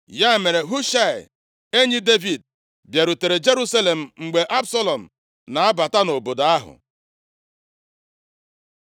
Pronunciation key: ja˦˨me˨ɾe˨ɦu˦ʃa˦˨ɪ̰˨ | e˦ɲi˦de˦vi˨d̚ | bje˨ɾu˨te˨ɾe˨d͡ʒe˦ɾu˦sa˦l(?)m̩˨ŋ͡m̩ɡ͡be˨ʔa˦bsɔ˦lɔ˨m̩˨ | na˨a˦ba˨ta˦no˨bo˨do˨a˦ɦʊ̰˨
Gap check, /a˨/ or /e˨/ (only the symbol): e˨